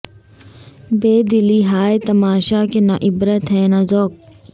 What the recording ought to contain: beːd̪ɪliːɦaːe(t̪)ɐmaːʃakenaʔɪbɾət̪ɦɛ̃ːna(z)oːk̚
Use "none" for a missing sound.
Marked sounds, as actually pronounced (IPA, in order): t̪, z

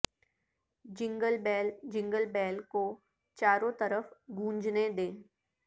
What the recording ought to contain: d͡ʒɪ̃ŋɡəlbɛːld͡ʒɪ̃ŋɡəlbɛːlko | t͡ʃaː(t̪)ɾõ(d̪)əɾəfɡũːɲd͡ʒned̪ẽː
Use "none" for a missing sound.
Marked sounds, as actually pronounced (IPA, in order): none, t̪

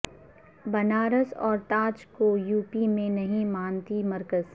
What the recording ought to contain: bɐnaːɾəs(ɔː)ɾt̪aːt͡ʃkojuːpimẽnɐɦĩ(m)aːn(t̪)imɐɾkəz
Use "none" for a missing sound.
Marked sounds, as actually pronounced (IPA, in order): ɔː, m, t̪

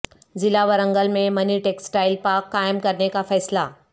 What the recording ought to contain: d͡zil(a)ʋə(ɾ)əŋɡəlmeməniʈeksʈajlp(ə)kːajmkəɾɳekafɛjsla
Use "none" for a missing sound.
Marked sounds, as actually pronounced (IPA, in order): a, ɾ, a

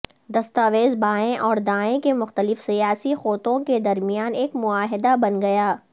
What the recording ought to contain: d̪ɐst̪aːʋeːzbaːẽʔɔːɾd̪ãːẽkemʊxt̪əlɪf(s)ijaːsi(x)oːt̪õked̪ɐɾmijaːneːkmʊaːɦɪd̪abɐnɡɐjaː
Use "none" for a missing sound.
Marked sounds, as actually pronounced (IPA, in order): s, x

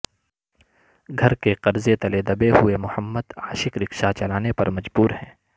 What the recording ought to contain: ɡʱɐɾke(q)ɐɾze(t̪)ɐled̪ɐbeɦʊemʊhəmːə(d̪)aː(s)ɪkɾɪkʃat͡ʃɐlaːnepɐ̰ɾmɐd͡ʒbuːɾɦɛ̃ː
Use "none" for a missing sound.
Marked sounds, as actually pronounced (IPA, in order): q, t̪, d̪, ʃ

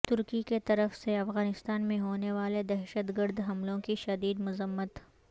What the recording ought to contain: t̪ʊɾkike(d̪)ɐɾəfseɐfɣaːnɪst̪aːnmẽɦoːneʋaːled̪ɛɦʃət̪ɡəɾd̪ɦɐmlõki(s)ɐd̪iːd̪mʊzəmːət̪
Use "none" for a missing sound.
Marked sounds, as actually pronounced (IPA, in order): t̪, ʃ

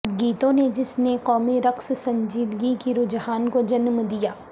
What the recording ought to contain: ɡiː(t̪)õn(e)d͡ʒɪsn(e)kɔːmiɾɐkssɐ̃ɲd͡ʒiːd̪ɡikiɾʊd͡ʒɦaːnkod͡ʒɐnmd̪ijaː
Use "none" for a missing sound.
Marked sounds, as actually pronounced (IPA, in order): t̪, e, e

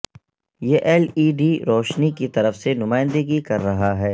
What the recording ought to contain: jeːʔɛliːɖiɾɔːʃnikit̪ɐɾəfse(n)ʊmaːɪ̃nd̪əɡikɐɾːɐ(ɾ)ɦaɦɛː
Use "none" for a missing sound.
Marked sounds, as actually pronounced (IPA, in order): n, none

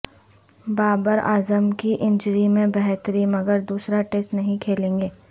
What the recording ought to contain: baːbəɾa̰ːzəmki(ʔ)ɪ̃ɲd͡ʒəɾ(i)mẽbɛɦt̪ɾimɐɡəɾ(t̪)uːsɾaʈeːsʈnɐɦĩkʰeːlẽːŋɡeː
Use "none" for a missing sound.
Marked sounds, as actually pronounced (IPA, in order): ʔ, i, d̪

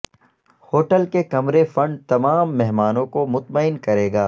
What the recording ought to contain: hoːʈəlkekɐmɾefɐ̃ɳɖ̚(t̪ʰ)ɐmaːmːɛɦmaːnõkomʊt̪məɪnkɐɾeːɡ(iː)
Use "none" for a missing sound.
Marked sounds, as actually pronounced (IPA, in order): t̪, aː

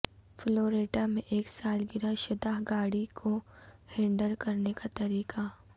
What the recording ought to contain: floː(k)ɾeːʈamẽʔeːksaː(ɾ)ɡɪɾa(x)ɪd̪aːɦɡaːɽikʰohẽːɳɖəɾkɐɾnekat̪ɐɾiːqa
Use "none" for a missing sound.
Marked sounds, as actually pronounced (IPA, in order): none, l, ʃ

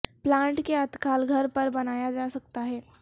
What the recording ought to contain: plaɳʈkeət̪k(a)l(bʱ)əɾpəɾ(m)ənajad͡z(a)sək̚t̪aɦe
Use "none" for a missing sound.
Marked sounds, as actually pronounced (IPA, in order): a, ɡʱ, b, a

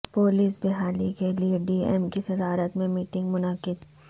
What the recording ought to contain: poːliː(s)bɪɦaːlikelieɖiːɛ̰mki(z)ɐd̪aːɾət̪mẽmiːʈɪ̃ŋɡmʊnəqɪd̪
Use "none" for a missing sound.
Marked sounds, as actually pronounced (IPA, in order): s, s

